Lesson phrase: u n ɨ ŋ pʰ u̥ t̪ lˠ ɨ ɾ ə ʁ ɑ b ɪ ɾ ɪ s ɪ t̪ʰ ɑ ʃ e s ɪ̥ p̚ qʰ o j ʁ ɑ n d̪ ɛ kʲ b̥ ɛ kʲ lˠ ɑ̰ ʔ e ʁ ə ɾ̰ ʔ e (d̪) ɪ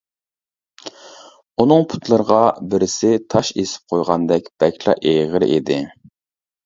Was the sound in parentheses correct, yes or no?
yes